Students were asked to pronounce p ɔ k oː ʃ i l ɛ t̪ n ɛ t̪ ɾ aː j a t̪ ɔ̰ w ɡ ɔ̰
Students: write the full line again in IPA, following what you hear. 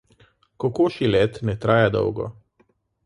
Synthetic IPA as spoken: k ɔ k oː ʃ i l ɛ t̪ n ɛ t̪ ɾ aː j a d̪ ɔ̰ w ɡ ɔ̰